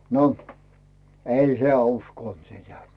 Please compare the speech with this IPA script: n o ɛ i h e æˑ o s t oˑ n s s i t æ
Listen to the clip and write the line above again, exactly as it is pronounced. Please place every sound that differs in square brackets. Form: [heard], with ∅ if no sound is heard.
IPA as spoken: n o [e] i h e æˑ [u] s [k] oˑ n [t] s i t æ